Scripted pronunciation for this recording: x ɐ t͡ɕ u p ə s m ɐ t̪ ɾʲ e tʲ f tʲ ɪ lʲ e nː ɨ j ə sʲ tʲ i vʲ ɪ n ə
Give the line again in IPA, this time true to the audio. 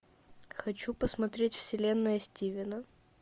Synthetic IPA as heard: x ɐ t͡ɕ u p ə s m ɐ t̪ ɾʲ e tʲ f sʲ ɪ lʲ e nː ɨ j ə sʲ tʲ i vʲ ɪ n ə